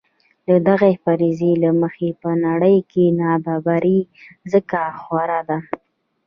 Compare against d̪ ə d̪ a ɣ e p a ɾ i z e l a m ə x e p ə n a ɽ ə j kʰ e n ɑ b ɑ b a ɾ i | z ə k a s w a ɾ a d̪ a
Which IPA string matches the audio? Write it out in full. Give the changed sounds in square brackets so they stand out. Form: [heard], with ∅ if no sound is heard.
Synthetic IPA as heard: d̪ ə d̪ a ɣ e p a ɾ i z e l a m ə x e p ə n a ɽ ə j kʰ e n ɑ b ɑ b a ɾ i | z ə k a [x] w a ɾ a d̪ a